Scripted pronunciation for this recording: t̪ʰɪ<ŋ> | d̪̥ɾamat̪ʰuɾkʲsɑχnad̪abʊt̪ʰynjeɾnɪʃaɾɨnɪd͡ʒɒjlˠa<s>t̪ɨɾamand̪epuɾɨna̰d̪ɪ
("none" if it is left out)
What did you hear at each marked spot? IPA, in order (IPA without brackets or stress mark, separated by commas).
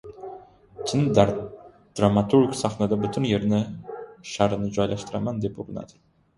n, ʃ